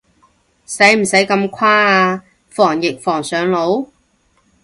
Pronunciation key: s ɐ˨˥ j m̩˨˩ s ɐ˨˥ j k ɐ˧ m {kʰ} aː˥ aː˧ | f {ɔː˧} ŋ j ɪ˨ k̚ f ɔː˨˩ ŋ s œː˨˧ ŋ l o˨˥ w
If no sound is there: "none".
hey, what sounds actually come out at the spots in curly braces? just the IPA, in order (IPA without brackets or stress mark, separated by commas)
kʰ, ɔː˨˩